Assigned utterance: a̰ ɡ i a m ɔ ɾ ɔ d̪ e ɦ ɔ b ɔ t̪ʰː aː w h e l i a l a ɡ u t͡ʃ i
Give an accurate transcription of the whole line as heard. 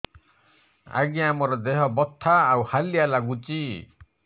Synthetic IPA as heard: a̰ ɡ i a m ɔ ɾ ɔ d̪ e ɦ ɔ b ɔ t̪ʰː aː w h a l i a l a ɡ u t͡ʃ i

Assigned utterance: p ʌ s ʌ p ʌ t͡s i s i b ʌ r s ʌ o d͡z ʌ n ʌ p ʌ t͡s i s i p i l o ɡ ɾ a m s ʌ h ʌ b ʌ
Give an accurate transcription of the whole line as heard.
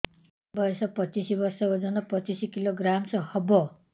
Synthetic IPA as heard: b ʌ s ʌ p ʌ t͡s i s i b ʌ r s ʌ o d͡z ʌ n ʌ p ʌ t͡s i s i k i l o ɡ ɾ a m s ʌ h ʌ b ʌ

